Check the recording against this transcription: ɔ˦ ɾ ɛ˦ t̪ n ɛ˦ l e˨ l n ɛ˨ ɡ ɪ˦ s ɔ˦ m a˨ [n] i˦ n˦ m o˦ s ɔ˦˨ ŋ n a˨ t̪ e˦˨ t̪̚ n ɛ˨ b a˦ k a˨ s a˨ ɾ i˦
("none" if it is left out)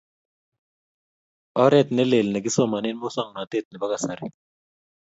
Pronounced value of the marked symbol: n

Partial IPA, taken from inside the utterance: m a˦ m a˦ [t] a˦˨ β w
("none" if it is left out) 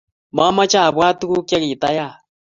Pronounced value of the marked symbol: t͡ʃ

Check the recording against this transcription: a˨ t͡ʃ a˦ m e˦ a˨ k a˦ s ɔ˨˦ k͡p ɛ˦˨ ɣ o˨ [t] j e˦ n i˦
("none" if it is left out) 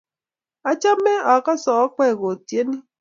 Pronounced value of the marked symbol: t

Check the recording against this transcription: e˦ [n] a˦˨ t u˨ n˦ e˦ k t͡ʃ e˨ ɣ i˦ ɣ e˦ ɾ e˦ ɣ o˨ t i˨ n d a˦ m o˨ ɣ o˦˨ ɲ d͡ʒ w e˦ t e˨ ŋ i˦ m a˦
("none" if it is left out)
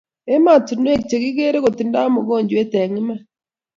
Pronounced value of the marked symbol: m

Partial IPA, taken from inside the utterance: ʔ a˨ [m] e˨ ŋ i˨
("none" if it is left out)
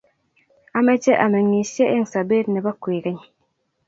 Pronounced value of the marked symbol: m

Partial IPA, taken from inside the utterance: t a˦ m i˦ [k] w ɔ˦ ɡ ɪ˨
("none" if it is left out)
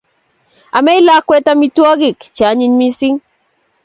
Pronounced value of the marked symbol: t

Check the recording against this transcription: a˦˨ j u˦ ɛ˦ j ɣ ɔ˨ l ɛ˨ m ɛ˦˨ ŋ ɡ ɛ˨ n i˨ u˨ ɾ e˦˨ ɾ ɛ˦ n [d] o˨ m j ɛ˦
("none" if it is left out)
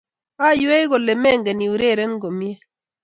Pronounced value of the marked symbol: ɡ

